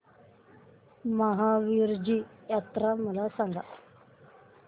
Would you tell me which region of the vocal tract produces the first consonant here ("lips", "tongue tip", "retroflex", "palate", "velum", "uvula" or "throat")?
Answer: lips